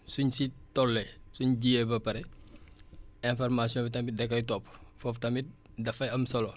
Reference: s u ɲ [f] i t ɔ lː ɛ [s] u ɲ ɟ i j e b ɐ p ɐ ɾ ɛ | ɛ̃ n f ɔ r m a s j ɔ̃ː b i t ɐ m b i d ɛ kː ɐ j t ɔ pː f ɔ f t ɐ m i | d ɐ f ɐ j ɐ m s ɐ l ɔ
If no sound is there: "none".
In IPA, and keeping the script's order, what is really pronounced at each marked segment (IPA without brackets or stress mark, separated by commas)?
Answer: s, s